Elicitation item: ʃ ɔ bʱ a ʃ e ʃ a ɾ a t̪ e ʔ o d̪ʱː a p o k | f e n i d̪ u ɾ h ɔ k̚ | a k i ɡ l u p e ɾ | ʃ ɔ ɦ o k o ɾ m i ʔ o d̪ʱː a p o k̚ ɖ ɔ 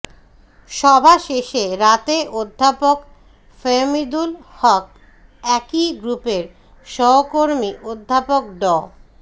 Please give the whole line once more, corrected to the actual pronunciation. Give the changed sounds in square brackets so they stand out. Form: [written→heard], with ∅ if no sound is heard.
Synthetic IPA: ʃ ɔ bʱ a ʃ e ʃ [a→e] ɾ a t̪ e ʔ o d̪ʱː a p o k | f e [n→m] i d̪ u [ɾ→l] h ɔ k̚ | [a→ɛ] k i ɡ [l→ɾ] u p e ɾ | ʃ ɔ ɦ o k o ɾ m i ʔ o d̪ʱː a p o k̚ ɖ ɔ